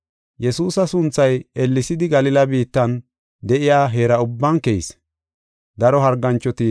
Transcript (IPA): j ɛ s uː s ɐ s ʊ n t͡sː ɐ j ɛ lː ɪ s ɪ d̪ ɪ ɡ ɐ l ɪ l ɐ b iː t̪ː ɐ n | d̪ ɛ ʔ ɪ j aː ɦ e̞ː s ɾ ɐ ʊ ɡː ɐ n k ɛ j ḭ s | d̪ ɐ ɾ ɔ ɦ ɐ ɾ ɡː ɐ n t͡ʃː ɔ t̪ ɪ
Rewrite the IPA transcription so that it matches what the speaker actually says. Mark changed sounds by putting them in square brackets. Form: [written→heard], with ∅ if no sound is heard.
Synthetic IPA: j ɛ s uː s ɐ s ʊ n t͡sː ɐ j ɛ lː ɪ s ɪ d̪ ɪ ɡ ɐ l ɪ l ɐ b iː t̪ː ɐ n | d̪ ɛ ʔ ɪ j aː ɦ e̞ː [s→∅] ɾ ɐ ʊ [ɡː→bː] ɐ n k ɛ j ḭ s | d̪ ɐ ɾ ɔ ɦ ɐ ɾ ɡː ɐ n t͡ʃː ɔ t̪ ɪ